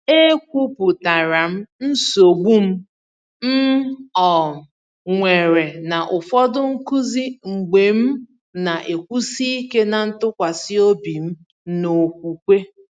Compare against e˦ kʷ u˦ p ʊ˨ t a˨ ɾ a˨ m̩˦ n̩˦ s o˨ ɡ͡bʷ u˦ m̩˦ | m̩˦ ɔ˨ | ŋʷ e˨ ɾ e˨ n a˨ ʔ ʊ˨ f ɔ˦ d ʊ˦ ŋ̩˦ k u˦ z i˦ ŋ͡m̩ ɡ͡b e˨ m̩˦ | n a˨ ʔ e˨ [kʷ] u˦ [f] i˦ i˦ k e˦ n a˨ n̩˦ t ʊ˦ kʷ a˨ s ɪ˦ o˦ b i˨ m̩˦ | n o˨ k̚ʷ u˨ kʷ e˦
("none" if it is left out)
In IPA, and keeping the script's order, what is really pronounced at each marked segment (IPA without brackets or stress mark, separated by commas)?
kʷ, s